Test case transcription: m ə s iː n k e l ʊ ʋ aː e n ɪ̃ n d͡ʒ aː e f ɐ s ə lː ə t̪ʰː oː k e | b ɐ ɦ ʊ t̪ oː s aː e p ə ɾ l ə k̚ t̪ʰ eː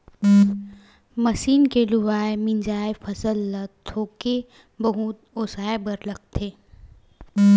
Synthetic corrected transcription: m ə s iː n k e l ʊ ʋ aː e m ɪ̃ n d͡ʒ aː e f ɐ s ə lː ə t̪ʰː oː k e | b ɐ ɦ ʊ t̪ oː s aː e b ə ɾ l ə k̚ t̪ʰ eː